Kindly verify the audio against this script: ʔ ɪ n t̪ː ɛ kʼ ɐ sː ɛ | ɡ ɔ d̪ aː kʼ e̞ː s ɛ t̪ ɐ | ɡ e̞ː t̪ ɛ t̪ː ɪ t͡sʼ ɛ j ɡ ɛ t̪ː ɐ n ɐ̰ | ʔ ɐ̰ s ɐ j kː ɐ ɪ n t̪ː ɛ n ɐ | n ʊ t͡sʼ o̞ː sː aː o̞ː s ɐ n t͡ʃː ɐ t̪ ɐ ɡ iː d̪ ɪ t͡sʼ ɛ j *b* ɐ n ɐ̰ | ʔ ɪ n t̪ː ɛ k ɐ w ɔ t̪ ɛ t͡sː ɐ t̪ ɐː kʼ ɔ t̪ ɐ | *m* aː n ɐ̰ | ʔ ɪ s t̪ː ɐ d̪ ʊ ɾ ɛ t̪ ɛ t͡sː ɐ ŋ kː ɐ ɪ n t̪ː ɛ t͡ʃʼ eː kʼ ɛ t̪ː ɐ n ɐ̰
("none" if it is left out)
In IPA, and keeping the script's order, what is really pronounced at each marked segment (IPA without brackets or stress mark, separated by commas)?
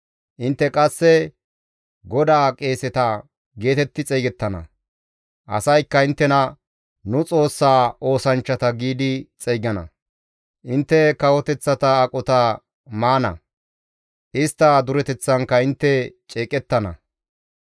ɡ, m